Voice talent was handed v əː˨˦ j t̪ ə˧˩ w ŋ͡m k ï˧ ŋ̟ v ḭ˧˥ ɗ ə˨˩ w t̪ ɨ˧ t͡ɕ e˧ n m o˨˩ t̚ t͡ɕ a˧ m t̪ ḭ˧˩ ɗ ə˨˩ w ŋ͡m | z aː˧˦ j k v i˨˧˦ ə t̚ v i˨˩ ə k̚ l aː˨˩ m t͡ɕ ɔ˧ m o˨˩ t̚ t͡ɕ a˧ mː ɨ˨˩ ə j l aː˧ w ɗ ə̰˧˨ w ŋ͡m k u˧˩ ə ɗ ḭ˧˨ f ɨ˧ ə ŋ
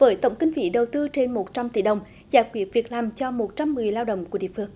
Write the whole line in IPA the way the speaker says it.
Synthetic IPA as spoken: v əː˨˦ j t̪ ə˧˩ w ŋ͡m k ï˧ ŋ̟ v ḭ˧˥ ɗ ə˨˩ w t̪ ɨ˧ t͡ɕ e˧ n m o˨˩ t̚ t͡ɕ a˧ m t̪ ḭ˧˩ ɗ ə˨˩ w ŋ͡m | z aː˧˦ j k w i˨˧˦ ə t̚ v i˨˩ ə k̚ l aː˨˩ m t͡ɕ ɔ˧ m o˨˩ t̚ t͡ɕ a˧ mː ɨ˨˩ ə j l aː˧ w ɗ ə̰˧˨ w ŋ͡m k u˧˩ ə ɗ ḭ˧˨ f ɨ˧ ə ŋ